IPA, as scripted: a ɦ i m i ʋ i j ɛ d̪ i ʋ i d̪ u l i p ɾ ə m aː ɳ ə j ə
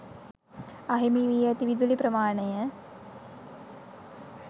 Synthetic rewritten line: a ɦ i m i ʋ i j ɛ t̪ i ʋ i d̪ u l i p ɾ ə m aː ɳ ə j ə